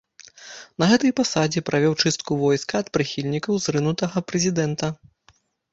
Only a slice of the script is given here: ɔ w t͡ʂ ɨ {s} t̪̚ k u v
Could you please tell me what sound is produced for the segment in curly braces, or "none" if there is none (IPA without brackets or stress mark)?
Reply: s